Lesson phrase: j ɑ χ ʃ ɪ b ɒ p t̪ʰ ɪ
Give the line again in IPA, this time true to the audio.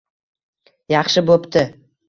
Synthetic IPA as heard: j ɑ χ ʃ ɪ b o p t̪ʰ ɪ